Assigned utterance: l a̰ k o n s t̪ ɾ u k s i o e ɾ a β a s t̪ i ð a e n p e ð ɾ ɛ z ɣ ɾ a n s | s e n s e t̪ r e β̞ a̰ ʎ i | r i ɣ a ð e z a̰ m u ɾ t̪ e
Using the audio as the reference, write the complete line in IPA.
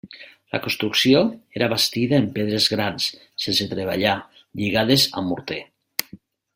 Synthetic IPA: l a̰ k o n s t̪ ɾ u k s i o e ɾ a β a s t̪ i ð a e m p e ð ɾ e z ɣ ɾ a n s | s e n s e t̪ ɾ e β̞ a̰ ʎ a | ʎ i ɣ a ð e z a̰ m u ɾ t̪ e